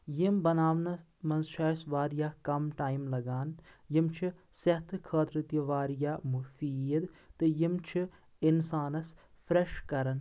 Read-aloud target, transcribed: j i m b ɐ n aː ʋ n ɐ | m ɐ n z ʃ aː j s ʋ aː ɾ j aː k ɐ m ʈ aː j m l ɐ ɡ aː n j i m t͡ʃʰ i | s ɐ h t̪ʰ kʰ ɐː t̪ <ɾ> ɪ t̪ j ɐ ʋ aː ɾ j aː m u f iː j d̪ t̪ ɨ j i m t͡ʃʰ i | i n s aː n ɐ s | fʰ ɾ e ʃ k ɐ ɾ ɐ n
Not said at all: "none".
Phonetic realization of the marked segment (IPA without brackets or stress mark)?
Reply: ɾ